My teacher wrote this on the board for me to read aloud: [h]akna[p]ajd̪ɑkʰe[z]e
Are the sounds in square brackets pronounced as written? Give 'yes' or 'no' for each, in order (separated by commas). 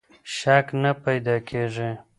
no, yes, no